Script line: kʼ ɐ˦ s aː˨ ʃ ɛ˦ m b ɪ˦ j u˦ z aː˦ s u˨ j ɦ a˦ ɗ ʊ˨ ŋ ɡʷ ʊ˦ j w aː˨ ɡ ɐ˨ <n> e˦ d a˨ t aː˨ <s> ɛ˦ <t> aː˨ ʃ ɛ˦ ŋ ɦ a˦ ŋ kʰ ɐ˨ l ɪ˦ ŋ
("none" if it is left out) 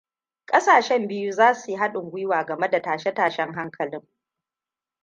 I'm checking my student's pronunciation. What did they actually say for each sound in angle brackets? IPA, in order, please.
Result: m, ʃ, t

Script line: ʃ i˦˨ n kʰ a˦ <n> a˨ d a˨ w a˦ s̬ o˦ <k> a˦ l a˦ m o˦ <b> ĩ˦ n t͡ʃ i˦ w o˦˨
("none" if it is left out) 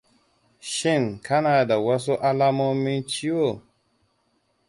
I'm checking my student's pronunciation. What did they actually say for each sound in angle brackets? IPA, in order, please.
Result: n, ʔ, m

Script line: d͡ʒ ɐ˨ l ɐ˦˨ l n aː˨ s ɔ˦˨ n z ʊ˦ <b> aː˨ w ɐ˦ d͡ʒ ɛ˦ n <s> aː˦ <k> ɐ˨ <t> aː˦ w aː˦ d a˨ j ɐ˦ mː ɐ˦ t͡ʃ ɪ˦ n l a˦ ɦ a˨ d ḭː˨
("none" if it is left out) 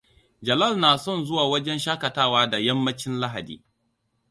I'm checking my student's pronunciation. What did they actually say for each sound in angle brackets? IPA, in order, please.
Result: w, ʃ, k, t

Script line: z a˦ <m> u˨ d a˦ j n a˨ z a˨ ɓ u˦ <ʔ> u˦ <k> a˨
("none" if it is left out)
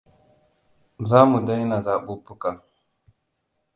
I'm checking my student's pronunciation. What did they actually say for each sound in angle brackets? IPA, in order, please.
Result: m, p, k

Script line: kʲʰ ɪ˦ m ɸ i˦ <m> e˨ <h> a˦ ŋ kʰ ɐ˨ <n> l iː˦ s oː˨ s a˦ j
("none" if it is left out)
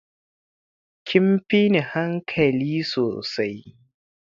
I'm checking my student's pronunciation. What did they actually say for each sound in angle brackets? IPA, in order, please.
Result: n, h, none

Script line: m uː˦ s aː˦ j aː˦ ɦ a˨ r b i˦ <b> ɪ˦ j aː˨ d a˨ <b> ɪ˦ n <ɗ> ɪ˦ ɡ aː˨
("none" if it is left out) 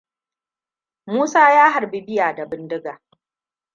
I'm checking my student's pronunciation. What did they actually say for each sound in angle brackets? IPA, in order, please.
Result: b, b, d

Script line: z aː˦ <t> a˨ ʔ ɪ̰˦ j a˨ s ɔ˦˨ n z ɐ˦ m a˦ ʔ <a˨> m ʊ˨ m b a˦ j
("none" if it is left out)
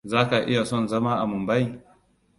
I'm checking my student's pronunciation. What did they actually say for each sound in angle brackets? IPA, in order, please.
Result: k, a˨

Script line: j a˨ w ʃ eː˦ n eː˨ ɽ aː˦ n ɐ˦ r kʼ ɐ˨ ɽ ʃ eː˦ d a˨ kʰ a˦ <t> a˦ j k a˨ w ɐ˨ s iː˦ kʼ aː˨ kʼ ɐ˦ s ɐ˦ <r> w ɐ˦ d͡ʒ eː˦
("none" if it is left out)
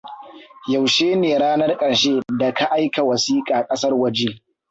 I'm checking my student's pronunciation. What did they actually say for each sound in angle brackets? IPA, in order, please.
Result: ʔ, r

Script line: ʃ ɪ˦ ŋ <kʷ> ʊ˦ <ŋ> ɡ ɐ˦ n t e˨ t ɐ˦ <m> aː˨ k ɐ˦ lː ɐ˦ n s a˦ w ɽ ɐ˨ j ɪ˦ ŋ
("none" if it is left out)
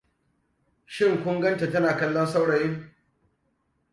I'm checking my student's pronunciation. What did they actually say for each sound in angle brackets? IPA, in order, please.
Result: kʷ, ŋ, n

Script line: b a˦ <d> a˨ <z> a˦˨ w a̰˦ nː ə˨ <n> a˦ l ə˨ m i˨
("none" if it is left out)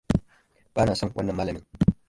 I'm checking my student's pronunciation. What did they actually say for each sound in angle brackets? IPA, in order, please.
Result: n, s, m

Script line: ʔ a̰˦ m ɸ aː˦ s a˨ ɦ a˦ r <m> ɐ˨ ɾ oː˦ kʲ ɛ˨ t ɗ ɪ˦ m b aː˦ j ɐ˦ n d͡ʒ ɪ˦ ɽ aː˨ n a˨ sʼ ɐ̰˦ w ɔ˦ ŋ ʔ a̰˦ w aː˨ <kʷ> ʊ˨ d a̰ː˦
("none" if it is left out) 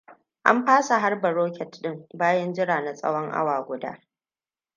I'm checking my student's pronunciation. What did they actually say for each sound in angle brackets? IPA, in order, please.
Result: b, ɡʷ

